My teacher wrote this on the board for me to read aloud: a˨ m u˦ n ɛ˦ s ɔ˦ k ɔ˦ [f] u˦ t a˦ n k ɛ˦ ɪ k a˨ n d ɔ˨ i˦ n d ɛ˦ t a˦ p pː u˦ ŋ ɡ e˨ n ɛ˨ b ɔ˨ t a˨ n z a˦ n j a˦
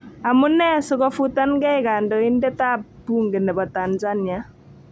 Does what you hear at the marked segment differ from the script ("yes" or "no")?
no